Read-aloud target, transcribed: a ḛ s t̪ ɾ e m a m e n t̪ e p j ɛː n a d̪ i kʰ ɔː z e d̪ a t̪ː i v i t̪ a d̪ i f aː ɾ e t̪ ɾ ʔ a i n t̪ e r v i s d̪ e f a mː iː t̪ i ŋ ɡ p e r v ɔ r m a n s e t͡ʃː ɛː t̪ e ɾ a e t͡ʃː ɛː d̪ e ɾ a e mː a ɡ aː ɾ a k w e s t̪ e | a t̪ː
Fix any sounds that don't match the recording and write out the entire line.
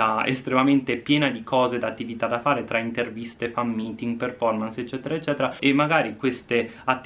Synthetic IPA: a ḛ s t̪ ɾ e m a m e n t̪ e p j ɛː n a d̪ i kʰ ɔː z e d̪ a t̪ː i v i t̪ a d̪ a f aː ɾ e t̪ ɾ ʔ a i n t̪ e r v i s t̪ e f a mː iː t̪ i ŋ ɡ p e r f ɔ r m a n s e t͡ʃː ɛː t̪ e ɾ a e t͡ʃː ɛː t̪ e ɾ a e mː a ɡ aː ɾ i k w e s t̪ e | a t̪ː